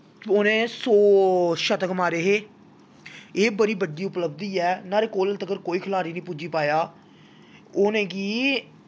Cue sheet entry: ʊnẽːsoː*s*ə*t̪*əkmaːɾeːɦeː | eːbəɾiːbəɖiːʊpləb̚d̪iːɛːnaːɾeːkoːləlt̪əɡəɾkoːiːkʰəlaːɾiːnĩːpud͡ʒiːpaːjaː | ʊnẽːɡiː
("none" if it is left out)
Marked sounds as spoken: ʃ, t̪

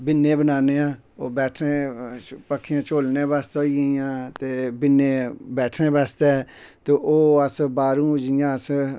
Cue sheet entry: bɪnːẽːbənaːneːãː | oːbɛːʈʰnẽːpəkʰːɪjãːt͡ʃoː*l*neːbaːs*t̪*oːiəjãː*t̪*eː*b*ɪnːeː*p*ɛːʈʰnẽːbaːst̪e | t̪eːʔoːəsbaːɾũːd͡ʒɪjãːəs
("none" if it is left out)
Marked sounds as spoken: l, t̪, t̪, b, b

